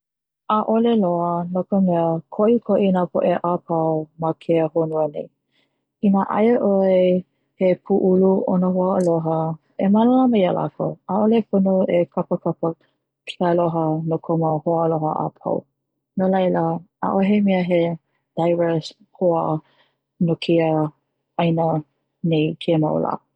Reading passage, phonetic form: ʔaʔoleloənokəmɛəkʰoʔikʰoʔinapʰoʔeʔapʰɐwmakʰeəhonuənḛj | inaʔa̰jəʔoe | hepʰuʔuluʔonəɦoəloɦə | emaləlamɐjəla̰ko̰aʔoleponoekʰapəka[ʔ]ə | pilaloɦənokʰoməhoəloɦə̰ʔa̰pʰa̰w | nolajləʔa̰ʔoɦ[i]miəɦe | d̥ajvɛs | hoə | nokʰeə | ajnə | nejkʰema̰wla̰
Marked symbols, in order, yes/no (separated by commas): no, no